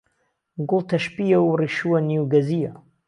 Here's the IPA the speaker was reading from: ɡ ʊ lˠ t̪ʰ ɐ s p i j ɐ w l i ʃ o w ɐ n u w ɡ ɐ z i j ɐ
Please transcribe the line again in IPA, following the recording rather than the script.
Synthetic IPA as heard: ɡ ʊ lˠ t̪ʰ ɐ ʃ p i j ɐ w r i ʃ u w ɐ n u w ɡ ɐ z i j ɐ